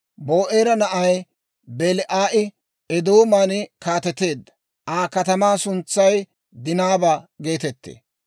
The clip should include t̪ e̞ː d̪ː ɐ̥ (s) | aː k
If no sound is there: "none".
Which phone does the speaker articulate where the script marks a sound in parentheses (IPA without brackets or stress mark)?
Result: none